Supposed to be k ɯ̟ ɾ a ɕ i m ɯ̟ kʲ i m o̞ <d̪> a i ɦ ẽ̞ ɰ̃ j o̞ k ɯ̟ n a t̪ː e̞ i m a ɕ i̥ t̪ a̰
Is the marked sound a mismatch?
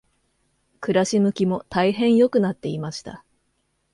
yes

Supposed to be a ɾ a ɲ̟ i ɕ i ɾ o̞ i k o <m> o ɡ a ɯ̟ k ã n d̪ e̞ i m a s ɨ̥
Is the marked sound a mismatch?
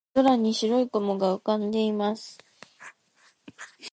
no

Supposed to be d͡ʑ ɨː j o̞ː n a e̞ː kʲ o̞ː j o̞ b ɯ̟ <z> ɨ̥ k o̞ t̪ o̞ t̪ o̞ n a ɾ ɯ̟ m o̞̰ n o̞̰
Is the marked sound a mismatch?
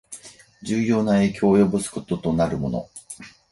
yes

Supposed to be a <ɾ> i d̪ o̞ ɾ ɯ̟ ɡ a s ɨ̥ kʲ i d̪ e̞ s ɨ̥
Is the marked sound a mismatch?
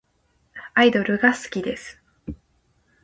yes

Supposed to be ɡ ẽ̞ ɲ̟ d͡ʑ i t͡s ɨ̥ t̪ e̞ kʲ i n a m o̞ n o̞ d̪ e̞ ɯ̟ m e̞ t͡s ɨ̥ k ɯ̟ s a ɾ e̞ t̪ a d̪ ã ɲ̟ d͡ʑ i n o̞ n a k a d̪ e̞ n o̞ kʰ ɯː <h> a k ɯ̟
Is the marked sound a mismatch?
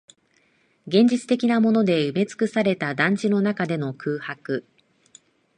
no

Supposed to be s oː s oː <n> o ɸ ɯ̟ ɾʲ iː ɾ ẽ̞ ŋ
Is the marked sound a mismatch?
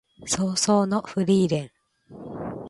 no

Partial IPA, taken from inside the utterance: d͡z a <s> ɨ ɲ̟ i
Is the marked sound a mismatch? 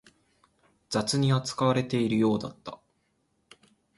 yes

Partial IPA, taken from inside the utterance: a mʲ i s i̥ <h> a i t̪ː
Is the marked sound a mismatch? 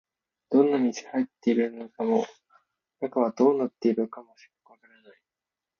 no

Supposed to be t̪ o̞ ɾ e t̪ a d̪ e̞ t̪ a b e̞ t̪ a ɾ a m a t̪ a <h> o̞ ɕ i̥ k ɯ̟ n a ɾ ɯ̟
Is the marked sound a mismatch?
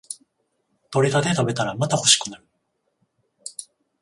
no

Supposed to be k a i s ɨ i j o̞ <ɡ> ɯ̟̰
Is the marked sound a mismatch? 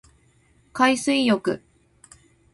yes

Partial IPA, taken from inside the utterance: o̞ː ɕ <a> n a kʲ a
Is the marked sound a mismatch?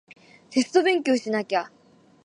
yes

